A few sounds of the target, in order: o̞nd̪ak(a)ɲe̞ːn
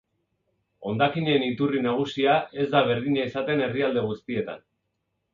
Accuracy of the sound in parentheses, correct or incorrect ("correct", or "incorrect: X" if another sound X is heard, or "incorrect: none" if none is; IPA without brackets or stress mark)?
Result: incorrect: i